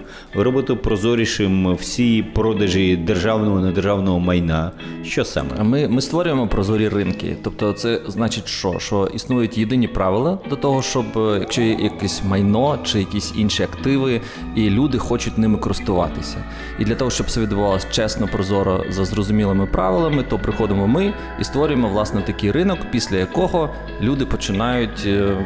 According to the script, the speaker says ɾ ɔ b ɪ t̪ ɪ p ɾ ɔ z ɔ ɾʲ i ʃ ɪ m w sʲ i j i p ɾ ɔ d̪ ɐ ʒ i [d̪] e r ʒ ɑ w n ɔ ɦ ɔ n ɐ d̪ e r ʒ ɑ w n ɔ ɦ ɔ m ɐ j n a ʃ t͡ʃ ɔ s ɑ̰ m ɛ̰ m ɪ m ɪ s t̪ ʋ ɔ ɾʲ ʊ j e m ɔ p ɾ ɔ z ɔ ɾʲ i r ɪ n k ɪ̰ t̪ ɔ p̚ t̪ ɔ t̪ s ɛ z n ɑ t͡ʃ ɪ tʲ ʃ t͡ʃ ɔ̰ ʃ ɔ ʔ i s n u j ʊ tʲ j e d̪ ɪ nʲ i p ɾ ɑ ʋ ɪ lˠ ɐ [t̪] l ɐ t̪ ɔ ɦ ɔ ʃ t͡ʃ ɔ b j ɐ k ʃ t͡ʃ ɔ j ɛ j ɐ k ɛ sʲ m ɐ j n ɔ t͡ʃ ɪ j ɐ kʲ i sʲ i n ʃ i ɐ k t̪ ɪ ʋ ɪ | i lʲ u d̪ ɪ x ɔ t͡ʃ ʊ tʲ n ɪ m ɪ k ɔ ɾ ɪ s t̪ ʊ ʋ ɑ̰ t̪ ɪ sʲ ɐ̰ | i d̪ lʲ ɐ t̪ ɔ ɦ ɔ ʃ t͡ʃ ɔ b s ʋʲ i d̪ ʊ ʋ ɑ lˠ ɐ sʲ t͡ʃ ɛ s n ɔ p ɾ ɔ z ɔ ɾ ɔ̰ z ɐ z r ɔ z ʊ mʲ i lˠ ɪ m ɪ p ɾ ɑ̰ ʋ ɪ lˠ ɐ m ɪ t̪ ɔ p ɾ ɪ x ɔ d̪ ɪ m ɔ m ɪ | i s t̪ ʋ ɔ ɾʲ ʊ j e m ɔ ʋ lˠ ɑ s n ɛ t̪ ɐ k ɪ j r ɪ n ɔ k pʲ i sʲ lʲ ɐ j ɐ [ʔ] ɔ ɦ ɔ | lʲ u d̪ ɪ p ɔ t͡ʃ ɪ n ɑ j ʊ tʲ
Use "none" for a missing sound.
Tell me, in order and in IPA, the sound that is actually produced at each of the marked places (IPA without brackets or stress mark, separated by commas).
d̪, d̪, k